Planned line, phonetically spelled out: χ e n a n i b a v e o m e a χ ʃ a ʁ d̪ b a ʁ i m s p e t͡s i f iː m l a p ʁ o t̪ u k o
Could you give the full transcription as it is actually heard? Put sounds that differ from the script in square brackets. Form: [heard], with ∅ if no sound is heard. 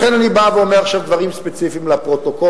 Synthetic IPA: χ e n a n i b a v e o m e a χ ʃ a [v] d̪ [v] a ʁ i m s p e t͡s i f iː m l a p ʁ o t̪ [o] k o